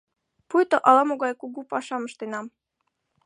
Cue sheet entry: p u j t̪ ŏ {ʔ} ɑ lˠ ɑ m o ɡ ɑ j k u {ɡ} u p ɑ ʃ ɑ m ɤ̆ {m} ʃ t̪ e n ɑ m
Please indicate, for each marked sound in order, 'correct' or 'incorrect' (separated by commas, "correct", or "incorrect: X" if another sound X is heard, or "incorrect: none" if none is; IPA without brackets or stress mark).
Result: correct, correct, incorrect: none